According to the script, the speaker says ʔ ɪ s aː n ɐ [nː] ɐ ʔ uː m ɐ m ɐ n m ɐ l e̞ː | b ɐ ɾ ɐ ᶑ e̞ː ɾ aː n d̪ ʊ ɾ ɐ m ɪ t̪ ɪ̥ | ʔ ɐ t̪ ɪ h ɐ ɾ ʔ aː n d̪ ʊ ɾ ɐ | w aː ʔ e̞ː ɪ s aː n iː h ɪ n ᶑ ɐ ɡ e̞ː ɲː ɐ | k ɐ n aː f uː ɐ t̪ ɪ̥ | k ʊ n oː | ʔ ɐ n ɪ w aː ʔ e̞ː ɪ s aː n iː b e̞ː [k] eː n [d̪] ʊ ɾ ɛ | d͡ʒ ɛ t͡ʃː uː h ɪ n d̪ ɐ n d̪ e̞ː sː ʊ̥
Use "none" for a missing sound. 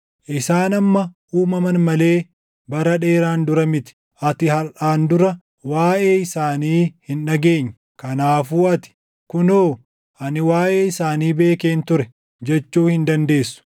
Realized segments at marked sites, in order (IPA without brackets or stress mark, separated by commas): mː, k, t̪